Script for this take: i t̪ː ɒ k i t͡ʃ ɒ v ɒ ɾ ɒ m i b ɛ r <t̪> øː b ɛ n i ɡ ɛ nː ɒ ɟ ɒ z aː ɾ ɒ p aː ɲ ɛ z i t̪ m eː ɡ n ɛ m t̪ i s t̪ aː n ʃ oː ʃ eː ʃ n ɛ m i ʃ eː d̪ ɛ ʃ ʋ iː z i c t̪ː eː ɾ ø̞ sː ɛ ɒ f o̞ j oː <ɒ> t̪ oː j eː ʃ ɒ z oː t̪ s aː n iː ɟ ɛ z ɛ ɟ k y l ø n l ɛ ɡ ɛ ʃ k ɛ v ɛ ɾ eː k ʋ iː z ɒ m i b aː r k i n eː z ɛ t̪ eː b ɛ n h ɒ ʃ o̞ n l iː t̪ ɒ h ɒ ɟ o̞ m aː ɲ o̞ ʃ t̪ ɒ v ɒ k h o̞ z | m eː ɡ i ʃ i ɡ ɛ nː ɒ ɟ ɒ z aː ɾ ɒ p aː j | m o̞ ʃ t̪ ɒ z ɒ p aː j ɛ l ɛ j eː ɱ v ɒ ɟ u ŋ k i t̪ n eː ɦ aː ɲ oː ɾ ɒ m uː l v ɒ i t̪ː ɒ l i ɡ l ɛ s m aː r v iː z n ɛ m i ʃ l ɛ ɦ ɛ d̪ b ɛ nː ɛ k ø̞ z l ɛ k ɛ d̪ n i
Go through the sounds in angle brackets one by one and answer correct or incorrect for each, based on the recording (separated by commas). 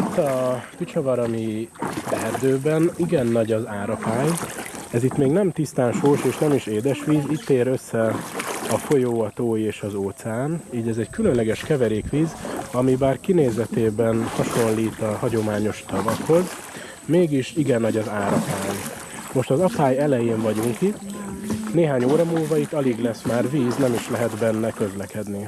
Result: incorrect, correct